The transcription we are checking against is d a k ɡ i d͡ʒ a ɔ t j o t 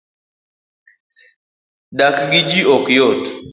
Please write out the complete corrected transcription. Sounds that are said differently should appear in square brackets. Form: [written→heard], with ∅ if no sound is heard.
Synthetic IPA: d a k ɡ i d͡ʒ [a→i] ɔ [t→k] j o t